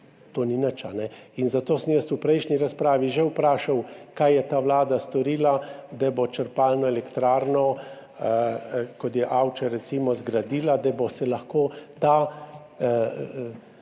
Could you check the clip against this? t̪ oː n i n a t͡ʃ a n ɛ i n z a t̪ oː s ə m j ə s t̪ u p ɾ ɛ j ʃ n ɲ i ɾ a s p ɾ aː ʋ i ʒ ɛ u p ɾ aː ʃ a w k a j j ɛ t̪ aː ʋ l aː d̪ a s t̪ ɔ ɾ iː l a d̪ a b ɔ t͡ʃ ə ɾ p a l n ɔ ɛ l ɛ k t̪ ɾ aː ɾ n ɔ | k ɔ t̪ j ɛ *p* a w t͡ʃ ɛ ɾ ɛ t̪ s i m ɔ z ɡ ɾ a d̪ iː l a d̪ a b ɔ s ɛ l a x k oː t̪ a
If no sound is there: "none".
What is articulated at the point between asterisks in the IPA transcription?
ʔ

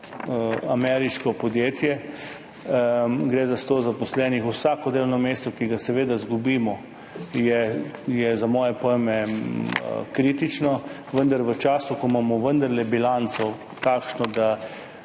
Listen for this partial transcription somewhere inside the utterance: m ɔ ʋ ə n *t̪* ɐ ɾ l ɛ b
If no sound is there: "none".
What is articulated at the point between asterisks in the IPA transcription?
d̪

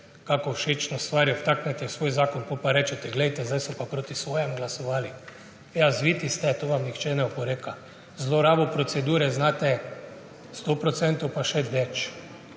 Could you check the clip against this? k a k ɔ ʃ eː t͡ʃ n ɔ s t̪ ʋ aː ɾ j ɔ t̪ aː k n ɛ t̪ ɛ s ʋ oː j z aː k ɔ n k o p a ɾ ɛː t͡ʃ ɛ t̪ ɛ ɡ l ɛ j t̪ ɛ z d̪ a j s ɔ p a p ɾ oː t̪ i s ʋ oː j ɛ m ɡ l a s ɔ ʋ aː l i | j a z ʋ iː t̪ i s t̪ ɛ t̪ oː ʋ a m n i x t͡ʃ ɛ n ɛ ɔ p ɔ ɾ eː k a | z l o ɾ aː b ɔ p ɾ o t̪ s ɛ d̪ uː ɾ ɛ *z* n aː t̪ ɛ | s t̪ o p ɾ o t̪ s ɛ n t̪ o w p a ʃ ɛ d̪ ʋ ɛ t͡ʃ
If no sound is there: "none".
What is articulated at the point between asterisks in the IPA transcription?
z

